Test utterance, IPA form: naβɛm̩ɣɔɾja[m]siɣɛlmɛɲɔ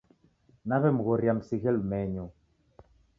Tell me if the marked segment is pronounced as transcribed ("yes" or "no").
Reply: yes